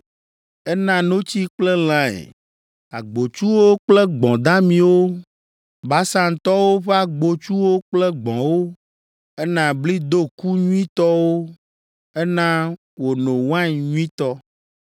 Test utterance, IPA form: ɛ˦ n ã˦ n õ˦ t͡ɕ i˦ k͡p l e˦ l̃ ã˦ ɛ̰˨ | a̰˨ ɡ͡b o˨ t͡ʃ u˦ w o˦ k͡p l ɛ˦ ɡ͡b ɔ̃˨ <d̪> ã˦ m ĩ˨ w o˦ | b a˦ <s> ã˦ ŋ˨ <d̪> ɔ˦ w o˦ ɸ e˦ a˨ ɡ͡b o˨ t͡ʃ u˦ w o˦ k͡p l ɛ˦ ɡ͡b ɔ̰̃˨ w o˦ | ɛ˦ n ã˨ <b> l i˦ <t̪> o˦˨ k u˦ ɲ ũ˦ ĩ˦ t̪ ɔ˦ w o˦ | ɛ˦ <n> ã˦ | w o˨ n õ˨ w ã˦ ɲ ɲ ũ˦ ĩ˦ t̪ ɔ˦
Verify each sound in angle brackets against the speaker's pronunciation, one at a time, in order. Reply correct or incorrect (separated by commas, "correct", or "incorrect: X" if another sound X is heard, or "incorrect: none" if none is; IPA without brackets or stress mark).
correct, correct, incorrect: t̪, correct, incorrect: d̪, correct